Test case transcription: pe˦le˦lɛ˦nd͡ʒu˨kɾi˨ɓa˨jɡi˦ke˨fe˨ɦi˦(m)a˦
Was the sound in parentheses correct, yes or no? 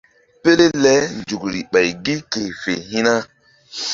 no